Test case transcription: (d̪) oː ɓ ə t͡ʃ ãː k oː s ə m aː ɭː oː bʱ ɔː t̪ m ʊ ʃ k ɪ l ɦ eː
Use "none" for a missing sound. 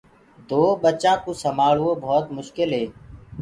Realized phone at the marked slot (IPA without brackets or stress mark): d̪